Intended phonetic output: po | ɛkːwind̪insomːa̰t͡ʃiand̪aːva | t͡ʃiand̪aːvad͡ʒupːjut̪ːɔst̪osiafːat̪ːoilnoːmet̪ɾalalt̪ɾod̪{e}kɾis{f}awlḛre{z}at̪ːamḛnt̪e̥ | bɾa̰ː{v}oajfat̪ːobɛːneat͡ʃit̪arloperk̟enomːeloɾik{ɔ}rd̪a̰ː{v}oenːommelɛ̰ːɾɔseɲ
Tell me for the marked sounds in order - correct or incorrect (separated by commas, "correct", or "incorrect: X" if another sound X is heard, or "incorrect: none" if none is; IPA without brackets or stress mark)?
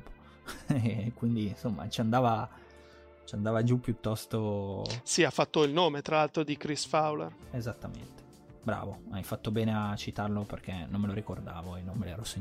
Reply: incorrect: i, correct, correct, correct, incorrect: o, correct